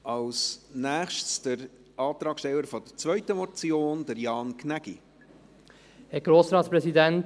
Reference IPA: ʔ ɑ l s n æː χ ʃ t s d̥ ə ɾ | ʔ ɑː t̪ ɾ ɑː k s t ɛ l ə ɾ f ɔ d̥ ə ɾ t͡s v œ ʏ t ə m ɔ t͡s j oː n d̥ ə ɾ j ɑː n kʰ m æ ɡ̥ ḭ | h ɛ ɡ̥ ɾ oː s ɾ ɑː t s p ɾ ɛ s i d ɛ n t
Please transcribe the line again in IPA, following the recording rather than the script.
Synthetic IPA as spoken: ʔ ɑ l s n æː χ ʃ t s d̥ ə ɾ | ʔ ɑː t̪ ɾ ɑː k ʃ t ɛ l ə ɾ f ɔ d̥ ə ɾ t͡s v œ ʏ t ə m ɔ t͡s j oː n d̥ ə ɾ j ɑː n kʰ n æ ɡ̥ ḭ | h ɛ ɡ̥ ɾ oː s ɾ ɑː t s p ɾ ɛ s i d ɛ n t